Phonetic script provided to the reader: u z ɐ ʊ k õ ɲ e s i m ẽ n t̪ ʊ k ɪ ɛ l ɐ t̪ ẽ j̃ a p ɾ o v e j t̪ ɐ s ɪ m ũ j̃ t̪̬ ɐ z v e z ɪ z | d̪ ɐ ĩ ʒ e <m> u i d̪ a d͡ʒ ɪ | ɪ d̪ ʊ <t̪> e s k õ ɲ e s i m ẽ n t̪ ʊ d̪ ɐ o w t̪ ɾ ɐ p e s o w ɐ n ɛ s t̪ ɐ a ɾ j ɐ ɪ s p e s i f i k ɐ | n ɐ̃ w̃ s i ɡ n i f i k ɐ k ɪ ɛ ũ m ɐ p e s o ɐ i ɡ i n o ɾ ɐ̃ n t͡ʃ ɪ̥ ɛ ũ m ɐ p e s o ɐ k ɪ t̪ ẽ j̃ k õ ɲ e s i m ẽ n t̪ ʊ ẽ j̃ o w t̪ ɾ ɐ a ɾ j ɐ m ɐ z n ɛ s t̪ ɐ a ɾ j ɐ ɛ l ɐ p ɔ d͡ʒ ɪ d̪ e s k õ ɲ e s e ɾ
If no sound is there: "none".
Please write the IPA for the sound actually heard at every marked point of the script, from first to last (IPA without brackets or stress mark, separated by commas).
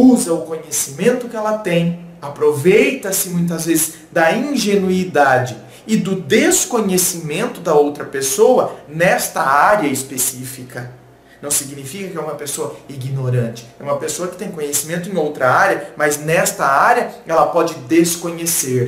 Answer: n, d̪